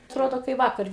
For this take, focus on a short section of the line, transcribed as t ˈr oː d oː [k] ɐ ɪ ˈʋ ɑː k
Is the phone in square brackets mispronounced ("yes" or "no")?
no